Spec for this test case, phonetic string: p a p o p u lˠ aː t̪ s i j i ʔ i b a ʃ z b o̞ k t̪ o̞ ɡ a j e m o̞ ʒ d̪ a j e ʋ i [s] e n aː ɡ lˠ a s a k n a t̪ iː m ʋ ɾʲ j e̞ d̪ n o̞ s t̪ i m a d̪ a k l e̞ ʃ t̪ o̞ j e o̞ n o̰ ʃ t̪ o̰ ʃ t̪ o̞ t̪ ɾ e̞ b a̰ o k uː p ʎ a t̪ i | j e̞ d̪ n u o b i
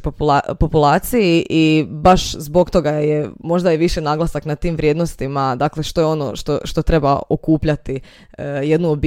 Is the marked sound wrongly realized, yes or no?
yes